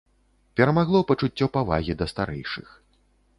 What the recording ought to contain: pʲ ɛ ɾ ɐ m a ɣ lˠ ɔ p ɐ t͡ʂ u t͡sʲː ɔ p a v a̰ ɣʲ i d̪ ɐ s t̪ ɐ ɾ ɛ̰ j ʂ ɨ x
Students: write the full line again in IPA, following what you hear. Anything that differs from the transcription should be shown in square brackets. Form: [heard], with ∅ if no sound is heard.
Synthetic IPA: pʲ ɛ ɾ ɐ m a ɣ lˠ ɔ p ɐ t͡ʂ u t͡sʲː ɔ p a v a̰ ɣʲ i d̪ ɐ s t̪ [a] ɾ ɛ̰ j ʂ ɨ x